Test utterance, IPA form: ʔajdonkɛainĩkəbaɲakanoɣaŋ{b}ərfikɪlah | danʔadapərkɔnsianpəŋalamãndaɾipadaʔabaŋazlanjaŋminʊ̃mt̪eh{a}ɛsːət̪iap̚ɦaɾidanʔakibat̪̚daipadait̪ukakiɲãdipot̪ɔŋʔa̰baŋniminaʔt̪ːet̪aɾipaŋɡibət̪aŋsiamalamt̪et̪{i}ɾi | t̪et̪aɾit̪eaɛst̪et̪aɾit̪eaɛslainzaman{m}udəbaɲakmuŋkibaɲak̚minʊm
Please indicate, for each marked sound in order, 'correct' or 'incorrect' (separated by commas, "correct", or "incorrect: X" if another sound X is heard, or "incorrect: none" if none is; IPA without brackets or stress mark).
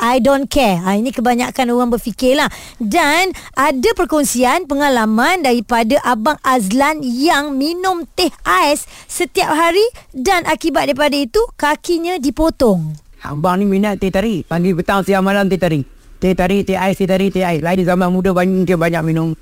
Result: correct, correct, incorrect: a, correct